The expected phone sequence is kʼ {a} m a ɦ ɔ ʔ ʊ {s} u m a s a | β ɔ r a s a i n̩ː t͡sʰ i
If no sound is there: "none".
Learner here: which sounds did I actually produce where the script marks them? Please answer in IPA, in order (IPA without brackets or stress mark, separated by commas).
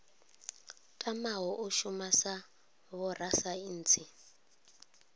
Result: a, ʃ